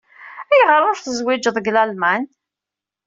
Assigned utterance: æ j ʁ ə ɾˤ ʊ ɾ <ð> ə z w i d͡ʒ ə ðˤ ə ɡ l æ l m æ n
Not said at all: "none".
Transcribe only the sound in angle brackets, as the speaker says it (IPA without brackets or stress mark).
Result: θ